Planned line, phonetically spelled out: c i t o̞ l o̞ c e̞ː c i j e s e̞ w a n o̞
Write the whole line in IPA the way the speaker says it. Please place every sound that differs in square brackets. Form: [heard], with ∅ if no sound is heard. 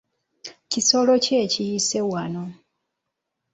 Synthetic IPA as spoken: c i [s] o̞ l o̞ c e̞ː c i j [i] s e̞ w a n o̞